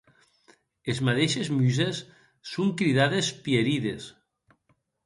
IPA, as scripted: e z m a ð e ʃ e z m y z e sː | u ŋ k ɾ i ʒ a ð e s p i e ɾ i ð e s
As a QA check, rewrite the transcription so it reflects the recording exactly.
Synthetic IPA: e z m a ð e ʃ e z m y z e sː | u ŋ k ɾ i ð a ð e s p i e ɾ i ð e s